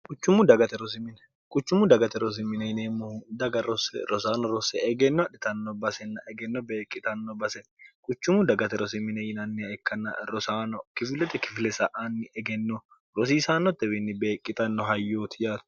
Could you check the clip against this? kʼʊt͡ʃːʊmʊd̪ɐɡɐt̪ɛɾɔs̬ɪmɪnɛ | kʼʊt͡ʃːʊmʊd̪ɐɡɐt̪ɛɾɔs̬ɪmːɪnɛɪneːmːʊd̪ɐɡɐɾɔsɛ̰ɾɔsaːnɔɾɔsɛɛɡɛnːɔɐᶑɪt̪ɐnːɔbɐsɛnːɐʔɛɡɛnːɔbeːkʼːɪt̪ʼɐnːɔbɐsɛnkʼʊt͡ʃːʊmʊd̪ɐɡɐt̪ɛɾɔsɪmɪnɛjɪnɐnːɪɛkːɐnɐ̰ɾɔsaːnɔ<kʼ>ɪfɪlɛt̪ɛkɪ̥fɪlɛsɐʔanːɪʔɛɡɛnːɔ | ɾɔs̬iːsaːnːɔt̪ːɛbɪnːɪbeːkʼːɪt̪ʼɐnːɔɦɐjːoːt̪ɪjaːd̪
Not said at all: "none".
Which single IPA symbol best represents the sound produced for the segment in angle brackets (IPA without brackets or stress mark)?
k